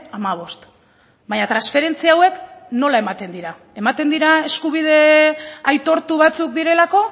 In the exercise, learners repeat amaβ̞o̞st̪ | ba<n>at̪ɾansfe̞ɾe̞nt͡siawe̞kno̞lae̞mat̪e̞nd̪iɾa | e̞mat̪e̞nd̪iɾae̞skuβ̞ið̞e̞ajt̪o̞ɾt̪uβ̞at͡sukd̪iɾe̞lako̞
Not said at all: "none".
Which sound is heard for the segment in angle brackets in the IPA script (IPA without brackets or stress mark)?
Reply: ɲ